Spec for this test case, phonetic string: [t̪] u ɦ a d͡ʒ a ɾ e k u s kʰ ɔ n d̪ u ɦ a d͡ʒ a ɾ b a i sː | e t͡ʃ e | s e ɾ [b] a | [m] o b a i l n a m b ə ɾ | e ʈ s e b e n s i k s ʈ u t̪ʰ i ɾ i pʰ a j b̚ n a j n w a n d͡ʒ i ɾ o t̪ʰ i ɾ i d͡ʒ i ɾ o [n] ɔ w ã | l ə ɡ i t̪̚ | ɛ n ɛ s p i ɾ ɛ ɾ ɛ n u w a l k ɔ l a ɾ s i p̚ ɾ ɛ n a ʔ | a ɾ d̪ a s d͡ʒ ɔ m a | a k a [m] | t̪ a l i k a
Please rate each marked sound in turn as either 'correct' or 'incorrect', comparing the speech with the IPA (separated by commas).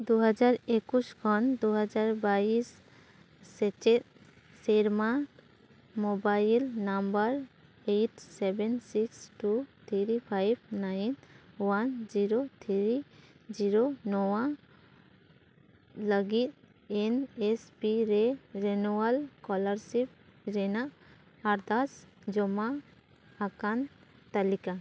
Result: incorrect, incorrect, correct, correct, incorrect